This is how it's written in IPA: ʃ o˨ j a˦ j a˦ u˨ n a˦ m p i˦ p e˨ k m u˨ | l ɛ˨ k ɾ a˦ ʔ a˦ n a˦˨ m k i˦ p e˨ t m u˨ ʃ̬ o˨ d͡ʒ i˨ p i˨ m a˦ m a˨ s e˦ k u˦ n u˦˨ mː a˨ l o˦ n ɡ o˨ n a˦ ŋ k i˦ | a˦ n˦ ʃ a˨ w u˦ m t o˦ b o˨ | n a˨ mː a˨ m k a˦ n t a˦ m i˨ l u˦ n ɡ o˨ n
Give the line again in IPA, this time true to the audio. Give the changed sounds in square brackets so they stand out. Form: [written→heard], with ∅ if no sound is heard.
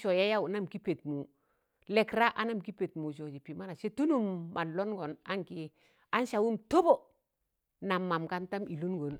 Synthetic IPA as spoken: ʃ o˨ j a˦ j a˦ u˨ n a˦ m [p→k] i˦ p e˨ [k→t] m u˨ | l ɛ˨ k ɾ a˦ ʔ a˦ n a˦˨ m k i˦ p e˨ t m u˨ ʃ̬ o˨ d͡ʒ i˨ p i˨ m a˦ [m→n] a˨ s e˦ [k→t] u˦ n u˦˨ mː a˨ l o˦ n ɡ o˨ n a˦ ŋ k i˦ | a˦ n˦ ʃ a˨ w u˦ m t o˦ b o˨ | n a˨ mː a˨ m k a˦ n t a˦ m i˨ l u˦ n ɡ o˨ n